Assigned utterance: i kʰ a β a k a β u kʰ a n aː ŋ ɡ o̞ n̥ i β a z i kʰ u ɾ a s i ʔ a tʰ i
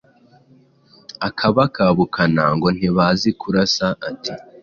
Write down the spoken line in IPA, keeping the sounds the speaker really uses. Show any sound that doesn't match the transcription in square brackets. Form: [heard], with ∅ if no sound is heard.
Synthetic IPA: [a] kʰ a β a k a β u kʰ a n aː ŋ ɡ o̞ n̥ i β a z i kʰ u ɾ a s [a] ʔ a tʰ i

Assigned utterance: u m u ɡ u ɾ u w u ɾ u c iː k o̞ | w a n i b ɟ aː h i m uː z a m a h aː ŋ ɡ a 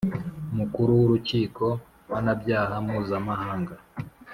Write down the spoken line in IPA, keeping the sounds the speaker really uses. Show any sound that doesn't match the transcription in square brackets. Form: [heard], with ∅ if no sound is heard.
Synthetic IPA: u m u [k] u ɾ u w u ɾ u c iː k o̞ | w a n [a] b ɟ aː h [a] m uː z a m a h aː ŋ ɡ a

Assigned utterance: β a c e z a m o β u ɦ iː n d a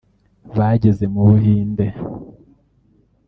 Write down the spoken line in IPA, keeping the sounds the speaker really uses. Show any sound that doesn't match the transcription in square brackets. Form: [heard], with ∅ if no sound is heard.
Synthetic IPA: β a [ɟ] e z [e] m [u] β u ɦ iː n d [e]

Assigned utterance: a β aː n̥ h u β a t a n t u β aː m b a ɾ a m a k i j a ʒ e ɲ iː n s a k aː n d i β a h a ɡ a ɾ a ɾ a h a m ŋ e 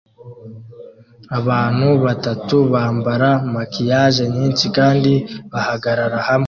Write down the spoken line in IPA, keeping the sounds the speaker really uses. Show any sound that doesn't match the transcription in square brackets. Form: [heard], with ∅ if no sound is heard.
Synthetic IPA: a β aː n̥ h u β a t a [∅] t u β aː m b a ɾ a m a k i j a ʒ e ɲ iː n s [i] k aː n d i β a h a ɡ a ɾ a ɾ a h a m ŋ e

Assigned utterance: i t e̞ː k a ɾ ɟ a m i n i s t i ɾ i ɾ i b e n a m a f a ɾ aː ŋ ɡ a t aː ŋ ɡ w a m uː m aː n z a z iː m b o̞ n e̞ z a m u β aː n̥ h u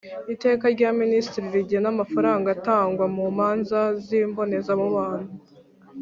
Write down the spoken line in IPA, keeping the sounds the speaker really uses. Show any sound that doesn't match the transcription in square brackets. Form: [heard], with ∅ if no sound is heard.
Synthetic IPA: i t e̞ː k a ɾ ɟ a m i n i s t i ɾ i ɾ i [ɟ] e n a m a f a ɾ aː ŋ ɡ a t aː ŋ ɡ w a m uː m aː n z a z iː m b o̞ n e̞ z a m u β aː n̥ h u

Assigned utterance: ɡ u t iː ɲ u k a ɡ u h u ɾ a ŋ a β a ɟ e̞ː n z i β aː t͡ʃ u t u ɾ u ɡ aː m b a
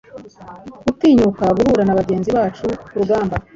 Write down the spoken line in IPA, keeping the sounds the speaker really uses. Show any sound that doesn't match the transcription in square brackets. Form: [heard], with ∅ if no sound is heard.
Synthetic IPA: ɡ u t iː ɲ u k a ɡ u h u ɾ a [n] a β a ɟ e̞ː n z i β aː t͡ʃ u [k] u ɾ u ɡ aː m b a

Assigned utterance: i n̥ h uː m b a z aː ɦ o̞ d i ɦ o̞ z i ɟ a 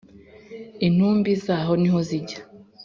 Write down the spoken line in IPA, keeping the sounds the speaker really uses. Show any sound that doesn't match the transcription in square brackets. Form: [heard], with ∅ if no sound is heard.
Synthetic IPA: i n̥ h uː m b [i] z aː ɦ o̞ [n] i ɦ o̞ z i ɟ a

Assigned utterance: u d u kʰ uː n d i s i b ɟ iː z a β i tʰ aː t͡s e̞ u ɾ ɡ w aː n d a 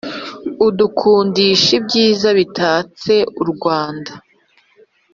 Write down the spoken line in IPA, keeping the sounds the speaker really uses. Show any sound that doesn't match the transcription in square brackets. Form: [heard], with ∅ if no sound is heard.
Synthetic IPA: u d u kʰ uː n d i [ʃ] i b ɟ iː z a β i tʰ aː t͡s e̞ u ɾ ɡ w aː n d a

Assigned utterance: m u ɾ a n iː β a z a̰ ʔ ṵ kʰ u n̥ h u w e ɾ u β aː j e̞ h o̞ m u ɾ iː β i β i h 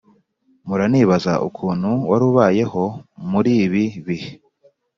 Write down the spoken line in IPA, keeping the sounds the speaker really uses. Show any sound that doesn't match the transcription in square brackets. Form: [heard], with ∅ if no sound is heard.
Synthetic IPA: m u ɾ a n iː β a z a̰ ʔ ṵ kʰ [uː] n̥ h u w [a] ɾ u β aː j e̞ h o̞ m u ɾ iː β i β i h

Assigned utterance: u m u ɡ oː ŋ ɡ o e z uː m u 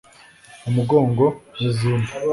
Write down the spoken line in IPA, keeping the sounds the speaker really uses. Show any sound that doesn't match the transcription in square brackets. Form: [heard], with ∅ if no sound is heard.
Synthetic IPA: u m u ɡ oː ŋ ɡ o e z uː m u

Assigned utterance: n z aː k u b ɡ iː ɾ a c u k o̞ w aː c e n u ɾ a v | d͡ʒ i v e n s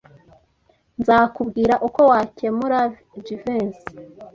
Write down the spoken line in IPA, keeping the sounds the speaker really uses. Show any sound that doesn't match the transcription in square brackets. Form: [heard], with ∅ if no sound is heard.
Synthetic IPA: n z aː k u b ɡ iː ɾ a [ʔ] u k o̞ w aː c e [m] u ɾ a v | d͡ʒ i v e n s

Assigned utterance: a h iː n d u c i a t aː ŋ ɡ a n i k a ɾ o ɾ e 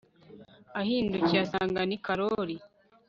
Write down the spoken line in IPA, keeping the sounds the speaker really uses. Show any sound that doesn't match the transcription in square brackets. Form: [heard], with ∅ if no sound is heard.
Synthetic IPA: a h iː n d u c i a [s] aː ŋ ɡ a n i k a ɾ o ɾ [i]

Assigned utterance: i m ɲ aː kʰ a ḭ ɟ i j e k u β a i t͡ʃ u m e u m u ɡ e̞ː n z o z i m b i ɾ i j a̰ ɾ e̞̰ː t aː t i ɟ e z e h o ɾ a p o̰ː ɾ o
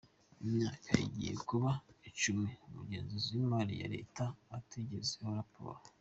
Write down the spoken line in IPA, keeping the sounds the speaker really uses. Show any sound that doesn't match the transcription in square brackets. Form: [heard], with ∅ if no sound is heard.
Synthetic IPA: i m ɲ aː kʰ a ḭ ɟ i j e k u β a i t͡ʃ u m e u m u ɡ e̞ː n z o z i m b [a] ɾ i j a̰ ɾ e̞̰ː t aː t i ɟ e z e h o ɾ a p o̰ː ɾ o

